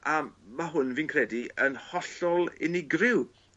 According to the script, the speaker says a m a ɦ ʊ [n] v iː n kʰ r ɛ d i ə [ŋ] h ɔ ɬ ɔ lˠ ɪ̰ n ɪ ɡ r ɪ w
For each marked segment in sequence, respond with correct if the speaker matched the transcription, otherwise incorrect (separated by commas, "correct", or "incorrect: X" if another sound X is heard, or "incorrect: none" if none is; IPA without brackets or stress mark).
correct, incorrect: n